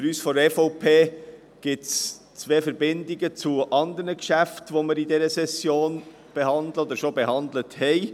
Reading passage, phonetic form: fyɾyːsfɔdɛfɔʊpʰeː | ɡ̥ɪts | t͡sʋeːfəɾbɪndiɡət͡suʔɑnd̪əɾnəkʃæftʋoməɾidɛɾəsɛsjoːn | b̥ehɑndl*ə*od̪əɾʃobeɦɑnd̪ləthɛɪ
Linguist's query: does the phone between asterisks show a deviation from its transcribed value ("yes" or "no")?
no